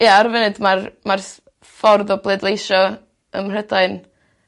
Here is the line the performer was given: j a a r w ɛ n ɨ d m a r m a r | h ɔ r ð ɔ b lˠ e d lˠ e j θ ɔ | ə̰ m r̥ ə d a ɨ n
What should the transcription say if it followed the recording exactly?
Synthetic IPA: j a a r v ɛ n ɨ d m a r m a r | f ɔ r ð ɔ b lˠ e d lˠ e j ʃ ɔ | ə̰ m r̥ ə d a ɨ n